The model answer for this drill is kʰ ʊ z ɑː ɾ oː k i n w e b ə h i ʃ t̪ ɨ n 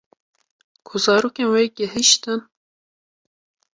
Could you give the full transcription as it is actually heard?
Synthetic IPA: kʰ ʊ z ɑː ɾ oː k e n w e ɡ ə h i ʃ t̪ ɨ n